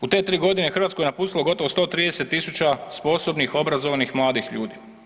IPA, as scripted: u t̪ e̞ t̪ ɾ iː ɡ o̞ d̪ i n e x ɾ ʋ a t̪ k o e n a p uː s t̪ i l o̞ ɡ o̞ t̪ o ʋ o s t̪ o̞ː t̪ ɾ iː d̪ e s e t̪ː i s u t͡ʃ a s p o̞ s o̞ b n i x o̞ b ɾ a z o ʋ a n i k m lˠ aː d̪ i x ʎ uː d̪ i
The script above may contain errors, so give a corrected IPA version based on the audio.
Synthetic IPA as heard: u t̪ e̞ t̪ ɾ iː ɡ o̞ d̪ i n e x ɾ ʋ a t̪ k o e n a p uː s t̪ i l o̞ ɡ o̞ t̪ o ʋ o s t̪ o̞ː t̪ ɾ iː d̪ e s e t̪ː i s u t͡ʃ a s p o̞ s o̞ b n i x o̞ b ɾ a z o ʋ a n i x m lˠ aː d̪ i x ʎ uː d̪ i